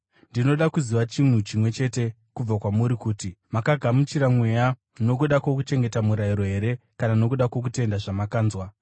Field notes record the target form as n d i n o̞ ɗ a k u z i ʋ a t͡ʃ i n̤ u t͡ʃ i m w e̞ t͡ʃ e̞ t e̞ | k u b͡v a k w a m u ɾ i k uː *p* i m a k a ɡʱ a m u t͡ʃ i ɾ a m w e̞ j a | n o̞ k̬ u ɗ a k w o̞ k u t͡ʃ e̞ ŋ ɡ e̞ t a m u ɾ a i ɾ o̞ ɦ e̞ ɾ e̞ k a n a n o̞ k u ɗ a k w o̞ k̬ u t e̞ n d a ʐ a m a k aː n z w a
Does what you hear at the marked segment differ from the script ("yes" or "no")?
yes